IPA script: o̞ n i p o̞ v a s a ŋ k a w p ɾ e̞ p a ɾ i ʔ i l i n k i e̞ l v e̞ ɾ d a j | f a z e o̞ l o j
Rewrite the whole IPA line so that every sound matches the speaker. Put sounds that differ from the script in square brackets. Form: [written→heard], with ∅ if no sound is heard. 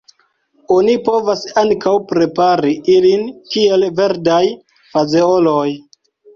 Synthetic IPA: o̞ n i p o̞ v a s a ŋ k a w p ɾ e̞ p a ɾ i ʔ i l i n k i e̞ l v e̞ ɾ d a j | f a z e o̞ l o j